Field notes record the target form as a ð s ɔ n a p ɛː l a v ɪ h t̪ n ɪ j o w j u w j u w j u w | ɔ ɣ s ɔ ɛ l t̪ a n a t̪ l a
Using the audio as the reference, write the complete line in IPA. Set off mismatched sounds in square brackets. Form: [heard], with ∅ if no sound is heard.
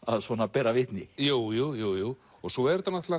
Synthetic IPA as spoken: a ð s ɔ n a p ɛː [ɾ] a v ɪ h t̪ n ɪ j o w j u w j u w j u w | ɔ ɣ s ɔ ɛ [ɾ] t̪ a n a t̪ l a